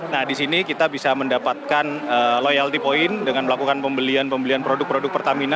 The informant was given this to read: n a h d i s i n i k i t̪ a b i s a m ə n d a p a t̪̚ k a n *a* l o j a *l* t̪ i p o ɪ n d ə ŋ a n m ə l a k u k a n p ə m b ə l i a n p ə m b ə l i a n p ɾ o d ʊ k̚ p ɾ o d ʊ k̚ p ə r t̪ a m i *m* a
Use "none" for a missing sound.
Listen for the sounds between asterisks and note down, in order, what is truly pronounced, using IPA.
ə, l, n

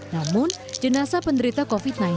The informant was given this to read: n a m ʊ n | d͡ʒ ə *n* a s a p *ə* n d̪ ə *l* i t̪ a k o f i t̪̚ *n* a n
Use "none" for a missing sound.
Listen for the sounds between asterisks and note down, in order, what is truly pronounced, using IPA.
n, ə, ɾ, n

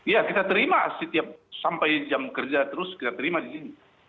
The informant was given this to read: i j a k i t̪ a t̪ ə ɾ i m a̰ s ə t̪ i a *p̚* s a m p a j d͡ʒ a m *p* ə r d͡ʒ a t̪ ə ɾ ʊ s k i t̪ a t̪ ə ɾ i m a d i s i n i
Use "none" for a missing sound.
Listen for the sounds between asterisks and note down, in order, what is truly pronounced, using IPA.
p̚, k

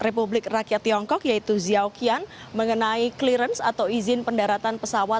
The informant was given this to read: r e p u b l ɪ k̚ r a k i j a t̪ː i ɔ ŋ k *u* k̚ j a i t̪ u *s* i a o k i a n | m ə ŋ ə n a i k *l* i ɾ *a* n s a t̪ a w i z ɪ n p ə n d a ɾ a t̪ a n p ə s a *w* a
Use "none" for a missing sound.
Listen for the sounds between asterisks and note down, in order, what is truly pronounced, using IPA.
ɔ, z, l, ə, w

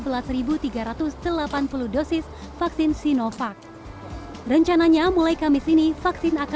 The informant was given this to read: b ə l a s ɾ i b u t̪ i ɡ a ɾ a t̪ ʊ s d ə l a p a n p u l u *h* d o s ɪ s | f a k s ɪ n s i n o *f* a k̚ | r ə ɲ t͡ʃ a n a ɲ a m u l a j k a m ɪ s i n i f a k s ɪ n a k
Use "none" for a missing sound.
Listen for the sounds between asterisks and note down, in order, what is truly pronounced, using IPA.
h, f

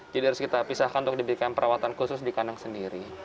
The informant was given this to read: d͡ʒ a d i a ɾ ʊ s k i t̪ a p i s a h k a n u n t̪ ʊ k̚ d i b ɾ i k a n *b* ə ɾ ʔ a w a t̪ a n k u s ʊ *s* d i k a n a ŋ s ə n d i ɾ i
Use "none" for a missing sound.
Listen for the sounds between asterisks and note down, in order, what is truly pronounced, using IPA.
p, s

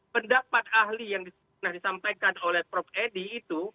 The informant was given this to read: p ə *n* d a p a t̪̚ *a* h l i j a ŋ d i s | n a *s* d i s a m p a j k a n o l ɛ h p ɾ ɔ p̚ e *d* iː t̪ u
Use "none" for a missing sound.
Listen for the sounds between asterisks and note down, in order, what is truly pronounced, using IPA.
n, a, h, d

